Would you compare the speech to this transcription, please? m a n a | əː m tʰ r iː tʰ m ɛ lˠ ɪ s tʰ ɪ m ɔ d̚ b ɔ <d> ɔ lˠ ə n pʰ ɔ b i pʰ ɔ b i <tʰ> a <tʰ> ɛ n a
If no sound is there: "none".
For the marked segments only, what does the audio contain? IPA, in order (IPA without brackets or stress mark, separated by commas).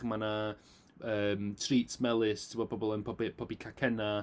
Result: b, kʰ, kʰ